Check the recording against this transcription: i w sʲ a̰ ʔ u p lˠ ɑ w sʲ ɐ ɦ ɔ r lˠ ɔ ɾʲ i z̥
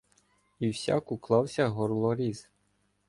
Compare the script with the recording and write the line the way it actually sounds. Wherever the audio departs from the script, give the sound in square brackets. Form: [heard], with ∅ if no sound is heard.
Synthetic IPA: i w sʲ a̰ [k] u [k] lˠ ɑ w sʲ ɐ ɦ ɔ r lˠ ɔ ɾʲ i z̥

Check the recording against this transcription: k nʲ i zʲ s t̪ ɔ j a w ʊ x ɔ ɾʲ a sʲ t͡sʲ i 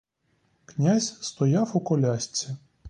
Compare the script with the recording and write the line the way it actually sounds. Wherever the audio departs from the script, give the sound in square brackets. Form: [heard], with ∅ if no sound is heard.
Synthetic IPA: k nʲ [a] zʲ s t̪ ɔ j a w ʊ [k] ɔ [lʲ] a sʲ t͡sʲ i

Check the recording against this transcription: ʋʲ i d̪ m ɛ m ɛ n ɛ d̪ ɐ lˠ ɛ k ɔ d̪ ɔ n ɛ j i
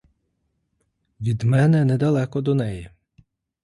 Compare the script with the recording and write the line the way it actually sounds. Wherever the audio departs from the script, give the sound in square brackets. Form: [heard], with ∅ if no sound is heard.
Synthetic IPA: ʋʲ i d̪ m ɛ [n] ɛ n ɛ d̪ ɐ lˠ ɛ k ɔ d̪ ɔ n ɛ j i

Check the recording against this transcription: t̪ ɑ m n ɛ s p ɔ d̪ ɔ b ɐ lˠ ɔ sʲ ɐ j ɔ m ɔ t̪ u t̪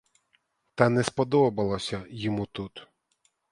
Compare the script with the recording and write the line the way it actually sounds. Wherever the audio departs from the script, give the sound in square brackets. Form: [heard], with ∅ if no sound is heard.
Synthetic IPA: t̪ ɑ [∅] n ɛ s p ɔ d̪ ɔ b ɐ lˠ ɔ sʲ ɐ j ɔ m [u] t̪ u t̪

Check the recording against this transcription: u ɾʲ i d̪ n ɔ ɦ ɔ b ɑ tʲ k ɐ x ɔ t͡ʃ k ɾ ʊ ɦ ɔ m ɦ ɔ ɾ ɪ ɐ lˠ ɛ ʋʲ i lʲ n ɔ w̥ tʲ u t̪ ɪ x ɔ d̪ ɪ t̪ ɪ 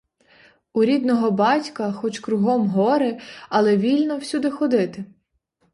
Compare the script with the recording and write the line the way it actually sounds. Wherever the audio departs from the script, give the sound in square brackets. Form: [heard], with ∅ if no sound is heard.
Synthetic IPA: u ɾʲ i d̪ n ɔ ɦ ɔ b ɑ tʲ k ɐ x ɔ t͡ʃ k ɾ ʊ ɦ ɔ m ɦ ɔ ɾ ɪ ɐ lˠ ɛ ʋʲ i lʲ n ɔ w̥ [sʲ] u [d̪] ɪ x ɔ d̪ ɪ t̪ ɪ

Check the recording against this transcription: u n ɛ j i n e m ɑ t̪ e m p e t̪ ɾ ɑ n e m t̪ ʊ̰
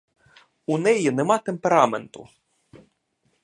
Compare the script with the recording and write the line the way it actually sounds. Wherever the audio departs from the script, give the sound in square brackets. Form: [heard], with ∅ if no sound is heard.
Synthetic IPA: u n ɛ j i n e m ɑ t̪ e m p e [∅] ɾ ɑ [m] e [n] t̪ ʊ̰

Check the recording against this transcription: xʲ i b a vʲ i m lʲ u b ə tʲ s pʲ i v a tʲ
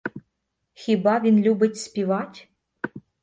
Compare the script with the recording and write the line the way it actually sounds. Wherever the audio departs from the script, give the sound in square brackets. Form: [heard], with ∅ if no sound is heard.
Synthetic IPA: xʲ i b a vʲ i [n] lʲ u b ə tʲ s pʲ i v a tʲ

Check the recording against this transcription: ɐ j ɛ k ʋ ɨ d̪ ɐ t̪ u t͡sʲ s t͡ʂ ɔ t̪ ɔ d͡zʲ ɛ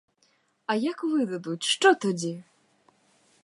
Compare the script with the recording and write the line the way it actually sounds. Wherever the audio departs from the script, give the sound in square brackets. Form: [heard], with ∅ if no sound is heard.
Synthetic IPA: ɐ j [a] k [v] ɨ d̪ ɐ [d̪] u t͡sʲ [ʂ] t͡ʂ ɔ t̪ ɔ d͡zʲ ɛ

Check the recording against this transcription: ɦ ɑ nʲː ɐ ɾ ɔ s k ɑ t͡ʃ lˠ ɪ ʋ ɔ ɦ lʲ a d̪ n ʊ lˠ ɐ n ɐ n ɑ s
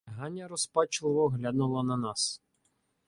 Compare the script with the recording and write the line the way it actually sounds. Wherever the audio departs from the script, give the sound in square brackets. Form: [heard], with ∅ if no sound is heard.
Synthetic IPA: ɦ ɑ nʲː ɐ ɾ ɔ s [p] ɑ t͡ʃ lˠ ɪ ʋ ɔ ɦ lʲ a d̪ n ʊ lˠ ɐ n ɐ n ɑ s

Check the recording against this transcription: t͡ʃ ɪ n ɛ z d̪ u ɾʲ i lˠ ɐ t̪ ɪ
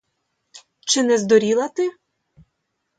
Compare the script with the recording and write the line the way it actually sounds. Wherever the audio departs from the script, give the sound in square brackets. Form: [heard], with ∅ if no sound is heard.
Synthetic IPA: t͡ʃ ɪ n ɛ z d̪ [ɔ] ɾʲ i lˠ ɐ t̪ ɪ

